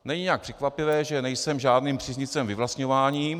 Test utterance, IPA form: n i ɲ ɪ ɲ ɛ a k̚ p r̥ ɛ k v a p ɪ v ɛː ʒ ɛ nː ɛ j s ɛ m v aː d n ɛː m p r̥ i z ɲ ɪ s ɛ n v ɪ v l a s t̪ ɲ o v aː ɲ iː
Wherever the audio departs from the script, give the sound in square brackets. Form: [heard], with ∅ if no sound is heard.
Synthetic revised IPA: n [ɛ] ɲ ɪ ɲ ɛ a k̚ p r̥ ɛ k v a p ɪ v ɛː ʒ ɛ [n] ɛ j s ɛ m [ʒ] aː d n [iː] m p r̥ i z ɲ ɪ [t͡s] ɛ [m] v ɪ v l a s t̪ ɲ o v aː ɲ iː